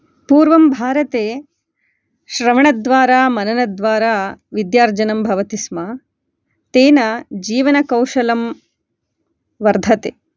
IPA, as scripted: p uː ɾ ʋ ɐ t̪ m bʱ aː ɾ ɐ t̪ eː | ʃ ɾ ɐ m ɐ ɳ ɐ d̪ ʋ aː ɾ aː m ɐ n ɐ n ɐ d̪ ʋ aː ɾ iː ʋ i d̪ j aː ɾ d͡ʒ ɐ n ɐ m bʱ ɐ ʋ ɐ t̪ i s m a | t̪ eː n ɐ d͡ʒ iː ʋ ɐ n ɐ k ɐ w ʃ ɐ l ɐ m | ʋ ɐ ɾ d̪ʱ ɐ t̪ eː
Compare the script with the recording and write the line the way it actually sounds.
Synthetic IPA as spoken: p uː ɾ ʋ ɐ m bʱ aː ɾ ɐ t̪ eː | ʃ ɾ ɐ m ɐ ɳ ɐ d̪ ʋ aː ɾ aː m ɐ n ɐ n ɐ d̪ ʋ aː ɾ aː ʋ i d̪ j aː ɾ d͡ʒ ɐ n ɐ m bʱ ɐ ʋ ɐ t̪ i s m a | t̪ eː n ɐ d͡ʒ iː ʋ ɐ n ɐ k ɐ w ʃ ɐ l ɐ m | ʋ ɐ ɾ d̪ʱ ɐ t̪ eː

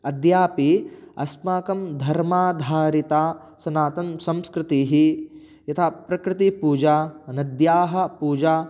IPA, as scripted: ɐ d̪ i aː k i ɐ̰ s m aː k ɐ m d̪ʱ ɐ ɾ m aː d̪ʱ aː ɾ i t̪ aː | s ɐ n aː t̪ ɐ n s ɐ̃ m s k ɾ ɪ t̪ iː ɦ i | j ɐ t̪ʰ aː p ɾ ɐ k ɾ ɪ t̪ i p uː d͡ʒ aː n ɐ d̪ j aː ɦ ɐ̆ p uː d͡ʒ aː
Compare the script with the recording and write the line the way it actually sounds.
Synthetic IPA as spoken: ɐ d̪ j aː p i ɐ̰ s m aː k ɐ m d̪ʱ ɐ ɾ m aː d̪ʱ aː ɾ i t̪ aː | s ɐ n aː t̪ ɐ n s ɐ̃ m s k ɾ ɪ t̪ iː ɦ i | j ɐ t̪ʰ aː p ɾ ɐ k ɾ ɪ t̪ i p uː d͡ʒ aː n ɐ d̪ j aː ɦ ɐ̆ p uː d͡ʒ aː

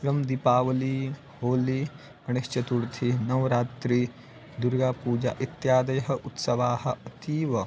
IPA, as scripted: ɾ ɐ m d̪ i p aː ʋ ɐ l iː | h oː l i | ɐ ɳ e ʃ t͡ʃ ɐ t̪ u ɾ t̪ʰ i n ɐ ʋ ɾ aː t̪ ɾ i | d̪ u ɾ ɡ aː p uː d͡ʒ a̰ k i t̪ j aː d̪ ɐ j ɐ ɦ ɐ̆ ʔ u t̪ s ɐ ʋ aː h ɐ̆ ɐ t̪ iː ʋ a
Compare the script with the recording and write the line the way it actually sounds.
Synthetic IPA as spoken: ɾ ɐ m d̪ i p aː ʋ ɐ l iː | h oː l i | ɐ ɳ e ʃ t͡ʃ ɐ t̪ u ɾ t̪ʰ i n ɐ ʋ ɾ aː t̪ ɾ i | d̪ u ɾ ɡ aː p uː d͡ʒ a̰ ʔ i t̪ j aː d̪ ɐ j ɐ ɦ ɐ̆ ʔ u t̪ s ɐ ʋ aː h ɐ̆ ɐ t̪ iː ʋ ɐ

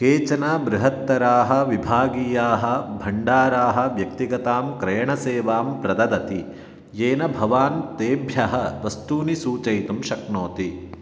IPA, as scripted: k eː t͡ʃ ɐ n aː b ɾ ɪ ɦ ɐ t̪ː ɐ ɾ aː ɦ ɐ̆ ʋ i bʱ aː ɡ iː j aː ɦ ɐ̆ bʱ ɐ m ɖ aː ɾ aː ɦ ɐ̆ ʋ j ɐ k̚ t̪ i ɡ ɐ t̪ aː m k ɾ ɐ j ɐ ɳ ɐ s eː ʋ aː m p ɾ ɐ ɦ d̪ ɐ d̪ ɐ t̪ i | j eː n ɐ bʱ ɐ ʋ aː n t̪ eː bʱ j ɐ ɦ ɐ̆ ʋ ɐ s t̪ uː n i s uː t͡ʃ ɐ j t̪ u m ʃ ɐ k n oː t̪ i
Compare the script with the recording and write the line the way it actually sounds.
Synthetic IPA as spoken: k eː t͡ʃ ɐ n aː b ɾ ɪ ɦ ɐ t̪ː ɐ ɾ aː ɦ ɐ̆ ʋ i bʱ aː ɡ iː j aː ɦ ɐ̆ bʱ ɐ ɳ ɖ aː ɾ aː ɦ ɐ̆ ʋ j ɐ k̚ t̪ i ɡ ɐ t̪ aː m k ɾ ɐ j ɐ ɳ ɐ s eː ʋ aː m p ɾ ɐ d̪ ɐ d̪ ɐ t̪ i | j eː n ɐ bʱ ɐ ʋ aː n t̪ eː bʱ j ɐ ɦ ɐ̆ ʋ ɐ s t̪ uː n i s uː t͡ʃ ɐ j t̪ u m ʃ ɐ k n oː t̪ i

